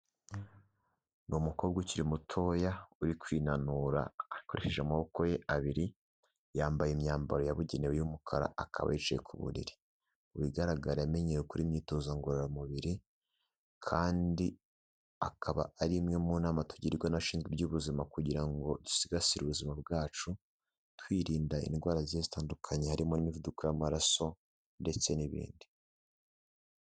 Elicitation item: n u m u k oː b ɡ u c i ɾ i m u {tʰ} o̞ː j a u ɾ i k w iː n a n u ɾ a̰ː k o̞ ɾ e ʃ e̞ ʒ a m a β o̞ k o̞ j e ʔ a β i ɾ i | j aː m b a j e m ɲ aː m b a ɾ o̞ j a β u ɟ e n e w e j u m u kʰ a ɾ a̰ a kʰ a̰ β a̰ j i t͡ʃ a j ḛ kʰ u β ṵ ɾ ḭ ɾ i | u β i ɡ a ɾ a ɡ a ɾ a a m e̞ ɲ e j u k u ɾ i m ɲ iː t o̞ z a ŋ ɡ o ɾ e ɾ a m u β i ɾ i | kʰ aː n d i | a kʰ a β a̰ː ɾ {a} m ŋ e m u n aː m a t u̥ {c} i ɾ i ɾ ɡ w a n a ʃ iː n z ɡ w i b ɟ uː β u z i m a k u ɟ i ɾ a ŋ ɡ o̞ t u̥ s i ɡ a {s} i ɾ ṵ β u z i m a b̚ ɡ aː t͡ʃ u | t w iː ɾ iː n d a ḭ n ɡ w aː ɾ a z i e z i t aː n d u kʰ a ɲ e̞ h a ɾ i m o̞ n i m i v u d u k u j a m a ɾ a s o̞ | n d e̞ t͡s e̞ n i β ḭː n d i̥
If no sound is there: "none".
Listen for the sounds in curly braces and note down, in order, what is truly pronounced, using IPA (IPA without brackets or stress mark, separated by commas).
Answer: tʰ, i, ɟ, s